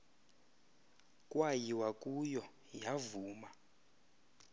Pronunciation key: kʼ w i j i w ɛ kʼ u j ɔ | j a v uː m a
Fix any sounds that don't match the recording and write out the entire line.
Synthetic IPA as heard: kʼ w a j i w a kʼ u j ɔ | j a v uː m a